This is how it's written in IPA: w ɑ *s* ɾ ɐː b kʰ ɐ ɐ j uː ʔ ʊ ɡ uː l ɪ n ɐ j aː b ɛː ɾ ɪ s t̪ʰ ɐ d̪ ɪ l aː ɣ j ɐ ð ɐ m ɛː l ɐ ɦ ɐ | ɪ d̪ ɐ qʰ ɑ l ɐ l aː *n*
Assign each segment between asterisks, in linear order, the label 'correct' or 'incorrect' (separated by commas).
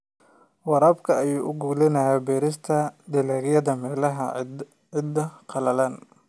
incorrect, correct